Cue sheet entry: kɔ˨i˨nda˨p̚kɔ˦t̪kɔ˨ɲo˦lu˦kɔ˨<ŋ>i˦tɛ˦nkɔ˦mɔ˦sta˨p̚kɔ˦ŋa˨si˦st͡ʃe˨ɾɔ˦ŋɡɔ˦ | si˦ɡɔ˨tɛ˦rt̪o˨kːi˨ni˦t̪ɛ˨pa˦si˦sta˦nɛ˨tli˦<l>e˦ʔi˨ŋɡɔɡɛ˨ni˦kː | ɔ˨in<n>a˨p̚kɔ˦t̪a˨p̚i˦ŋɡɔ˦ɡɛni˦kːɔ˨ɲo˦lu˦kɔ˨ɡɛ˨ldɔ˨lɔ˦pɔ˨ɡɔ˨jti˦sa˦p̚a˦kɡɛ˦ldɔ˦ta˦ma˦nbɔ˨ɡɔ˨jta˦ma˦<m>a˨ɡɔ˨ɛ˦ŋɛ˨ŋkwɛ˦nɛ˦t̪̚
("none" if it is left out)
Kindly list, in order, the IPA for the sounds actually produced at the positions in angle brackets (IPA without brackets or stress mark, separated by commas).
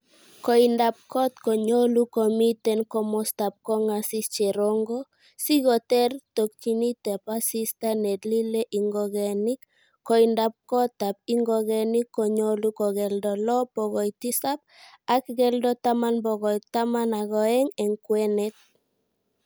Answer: m, l, d, n